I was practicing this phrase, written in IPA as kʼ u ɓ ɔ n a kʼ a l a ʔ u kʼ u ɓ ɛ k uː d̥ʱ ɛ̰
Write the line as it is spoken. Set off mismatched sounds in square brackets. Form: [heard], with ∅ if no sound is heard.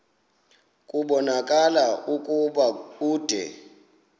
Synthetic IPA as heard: kʼ u ɓ ɔ n a kʼ a l a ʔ u kʼ u ɓ [a] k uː d̥ʱ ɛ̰